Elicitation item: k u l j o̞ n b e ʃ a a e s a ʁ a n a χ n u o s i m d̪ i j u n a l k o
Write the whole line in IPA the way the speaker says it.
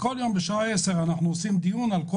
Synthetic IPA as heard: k o l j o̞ m b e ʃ a a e s e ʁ a n a χ n u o s i m d̪ i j u n a l k o